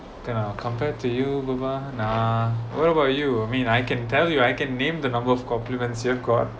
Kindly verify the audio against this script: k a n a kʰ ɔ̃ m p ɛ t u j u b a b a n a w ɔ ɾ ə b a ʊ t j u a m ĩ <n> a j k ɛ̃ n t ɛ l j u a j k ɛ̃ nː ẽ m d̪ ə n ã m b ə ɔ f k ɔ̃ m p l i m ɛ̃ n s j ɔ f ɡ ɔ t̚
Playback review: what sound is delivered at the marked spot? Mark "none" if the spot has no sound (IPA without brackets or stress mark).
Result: n